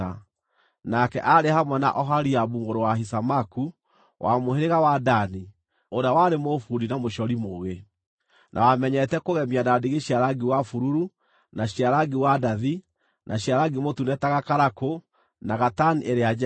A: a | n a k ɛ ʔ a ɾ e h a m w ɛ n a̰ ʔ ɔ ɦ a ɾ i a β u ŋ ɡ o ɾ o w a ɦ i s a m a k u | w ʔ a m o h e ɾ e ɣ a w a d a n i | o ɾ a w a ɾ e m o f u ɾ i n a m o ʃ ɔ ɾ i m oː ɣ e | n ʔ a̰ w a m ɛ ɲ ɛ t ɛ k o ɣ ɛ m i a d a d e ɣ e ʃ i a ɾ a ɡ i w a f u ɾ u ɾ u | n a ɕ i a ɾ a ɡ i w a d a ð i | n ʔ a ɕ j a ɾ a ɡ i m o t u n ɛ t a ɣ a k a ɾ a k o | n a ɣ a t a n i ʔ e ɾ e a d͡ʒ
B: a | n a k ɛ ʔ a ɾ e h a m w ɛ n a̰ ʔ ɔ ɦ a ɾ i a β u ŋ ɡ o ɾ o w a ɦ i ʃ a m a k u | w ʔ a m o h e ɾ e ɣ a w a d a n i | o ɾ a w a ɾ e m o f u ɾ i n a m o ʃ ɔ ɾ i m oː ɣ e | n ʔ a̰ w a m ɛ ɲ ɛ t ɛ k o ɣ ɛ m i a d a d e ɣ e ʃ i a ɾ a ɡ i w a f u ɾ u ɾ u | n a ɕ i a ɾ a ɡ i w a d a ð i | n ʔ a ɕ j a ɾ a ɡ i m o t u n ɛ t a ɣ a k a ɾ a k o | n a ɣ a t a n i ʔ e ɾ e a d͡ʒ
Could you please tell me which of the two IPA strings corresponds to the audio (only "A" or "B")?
A